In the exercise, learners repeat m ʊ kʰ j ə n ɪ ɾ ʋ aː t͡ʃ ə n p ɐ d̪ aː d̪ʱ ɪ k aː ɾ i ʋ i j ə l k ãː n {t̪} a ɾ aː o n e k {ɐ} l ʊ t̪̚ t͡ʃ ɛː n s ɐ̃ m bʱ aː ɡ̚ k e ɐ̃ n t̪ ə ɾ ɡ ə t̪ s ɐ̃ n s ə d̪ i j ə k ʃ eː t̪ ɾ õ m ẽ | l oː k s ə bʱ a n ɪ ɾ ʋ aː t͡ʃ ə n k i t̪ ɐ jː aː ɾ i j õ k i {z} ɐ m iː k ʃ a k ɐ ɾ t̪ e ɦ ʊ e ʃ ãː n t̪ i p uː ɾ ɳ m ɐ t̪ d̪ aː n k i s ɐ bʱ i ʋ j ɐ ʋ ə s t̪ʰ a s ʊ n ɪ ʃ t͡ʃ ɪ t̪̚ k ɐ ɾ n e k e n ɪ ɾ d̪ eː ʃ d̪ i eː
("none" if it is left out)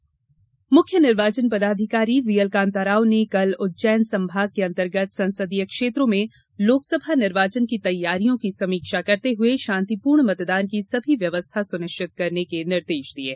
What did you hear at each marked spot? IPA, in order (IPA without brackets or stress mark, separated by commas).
t̪, ɐ, s